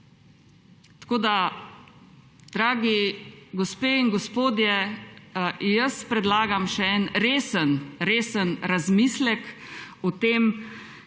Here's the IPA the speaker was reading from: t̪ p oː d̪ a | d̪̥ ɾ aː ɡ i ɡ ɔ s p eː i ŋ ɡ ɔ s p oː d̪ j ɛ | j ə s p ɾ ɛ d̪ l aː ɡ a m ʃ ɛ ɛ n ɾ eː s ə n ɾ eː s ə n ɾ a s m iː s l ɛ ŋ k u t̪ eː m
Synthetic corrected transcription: t̪ k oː d̪ a | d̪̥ ɾ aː ɡ i ɡ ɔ s p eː i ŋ ɡ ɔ s p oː d̪ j ɛ | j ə s p ɾ ɛ d̪ l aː ɡ a m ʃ ɛ ɛ n ɾ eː s ə n ɾ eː s ə n ɾ a z m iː s l ɛ k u t̪ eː m